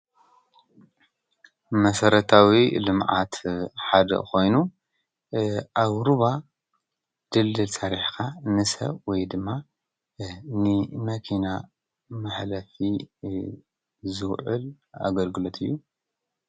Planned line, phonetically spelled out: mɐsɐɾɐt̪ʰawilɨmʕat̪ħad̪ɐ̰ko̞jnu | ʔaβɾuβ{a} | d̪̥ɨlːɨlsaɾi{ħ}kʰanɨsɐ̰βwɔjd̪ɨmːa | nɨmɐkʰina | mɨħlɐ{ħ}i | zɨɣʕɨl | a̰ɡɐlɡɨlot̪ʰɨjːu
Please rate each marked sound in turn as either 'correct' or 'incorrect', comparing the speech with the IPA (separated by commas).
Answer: correct, correct, incorrect